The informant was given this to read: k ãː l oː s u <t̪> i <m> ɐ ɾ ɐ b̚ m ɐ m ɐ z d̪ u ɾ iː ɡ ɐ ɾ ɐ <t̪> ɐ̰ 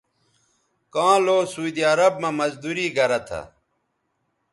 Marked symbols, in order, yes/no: no, no, no

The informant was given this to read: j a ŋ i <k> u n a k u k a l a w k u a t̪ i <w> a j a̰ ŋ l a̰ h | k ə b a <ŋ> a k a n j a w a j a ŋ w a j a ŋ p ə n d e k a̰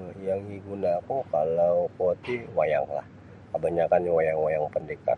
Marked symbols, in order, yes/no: no, yes, no

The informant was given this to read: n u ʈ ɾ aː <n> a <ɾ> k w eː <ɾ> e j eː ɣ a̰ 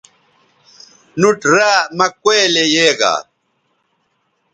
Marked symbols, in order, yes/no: no, no, no

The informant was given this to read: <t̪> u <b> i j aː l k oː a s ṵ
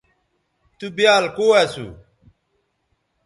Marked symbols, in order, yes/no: yes, yes

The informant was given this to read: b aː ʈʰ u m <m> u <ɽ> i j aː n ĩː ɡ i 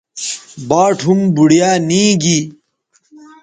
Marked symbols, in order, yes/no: no, yes

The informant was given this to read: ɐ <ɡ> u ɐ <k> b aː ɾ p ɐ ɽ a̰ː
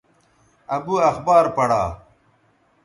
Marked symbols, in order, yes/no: no, no

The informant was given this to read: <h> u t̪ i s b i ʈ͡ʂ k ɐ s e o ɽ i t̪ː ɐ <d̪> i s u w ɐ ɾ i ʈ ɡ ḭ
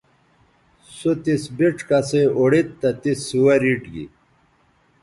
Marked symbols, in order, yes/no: no, no

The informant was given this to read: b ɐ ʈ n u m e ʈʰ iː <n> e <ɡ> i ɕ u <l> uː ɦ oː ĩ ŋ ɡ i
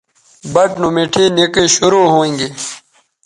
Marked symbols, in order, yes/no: yes, no, no

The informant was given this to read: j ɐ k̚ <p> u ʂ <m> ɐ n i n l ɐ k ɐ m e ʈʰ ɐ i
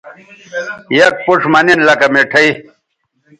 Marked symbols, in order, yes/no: yes, yes

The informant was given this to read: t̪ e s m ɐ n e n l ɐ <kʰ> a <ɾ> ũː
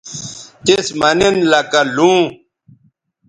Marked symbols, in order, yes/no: no, no

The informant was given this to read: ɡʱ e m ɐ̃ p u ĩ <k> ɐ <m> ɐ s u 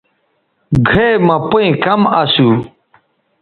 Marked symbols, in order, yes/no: yes, yes

